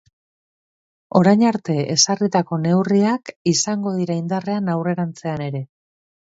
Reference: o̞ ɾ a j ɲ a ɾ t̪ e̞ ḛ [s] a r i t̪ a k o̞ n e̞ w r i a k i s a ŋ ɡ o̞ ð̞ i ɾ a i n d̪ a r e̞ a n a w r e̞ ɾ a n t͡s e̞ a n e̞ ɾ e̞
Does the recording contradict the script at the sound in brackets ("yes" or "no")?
no